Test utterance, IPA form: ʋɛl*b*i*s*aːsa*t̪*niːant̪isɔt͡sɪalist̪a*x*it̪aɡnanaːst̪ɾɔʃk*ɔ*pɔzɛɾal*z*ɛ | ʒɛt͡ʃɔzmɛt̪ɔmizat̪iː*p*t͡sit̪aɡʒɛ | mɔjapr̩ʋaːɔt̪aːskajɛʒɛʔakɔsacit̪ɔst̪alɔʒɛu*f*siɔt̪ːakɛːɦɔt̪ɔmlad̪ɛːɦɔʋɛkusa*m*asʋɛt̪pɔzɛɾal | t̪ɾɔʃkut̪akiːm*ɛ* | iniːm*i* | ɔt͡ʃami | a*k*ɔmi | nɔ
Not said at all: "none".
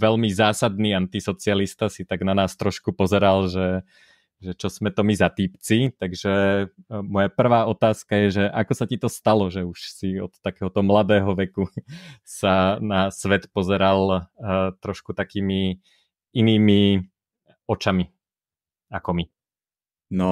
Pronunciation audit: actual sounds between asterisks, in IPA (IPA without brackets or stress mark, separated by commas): m, z, d̪, s, u, ʒ, p, ʃ, n, i, i, k